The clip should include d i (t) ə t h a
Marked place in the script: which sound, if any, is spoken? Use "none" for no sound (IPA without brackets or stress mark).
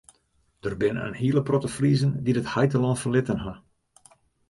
d